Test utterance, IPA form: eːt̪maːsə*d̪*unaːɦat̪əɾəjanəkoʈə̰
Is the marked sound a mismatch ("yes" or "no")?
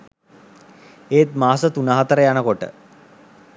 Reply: yes